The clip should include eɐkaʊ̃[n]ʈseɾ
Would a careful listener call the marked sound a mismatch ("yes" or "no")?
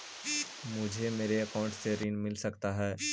yes